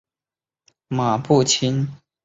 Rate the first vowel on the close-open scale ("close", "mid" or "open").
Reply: open